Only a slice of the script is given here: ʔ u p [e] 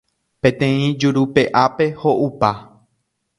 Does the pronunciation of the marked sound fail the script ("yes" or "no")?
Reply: yes